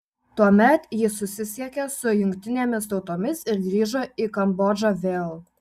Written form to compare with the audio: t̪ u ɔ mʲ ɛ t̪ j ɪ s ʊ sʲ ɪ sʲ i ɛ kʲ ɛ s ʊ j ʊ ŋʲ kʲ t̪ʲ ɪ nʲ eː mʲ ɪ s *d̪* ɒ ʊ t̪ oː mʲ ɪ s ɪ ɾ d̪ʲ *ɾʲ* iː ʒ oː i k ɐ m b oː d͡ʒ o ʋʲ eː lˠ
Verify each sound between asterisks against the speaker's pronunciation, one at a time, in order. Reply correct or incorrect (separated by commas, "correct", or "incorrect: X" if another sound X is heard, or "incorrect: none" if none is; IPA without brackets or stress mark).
incorrect: t̪, correct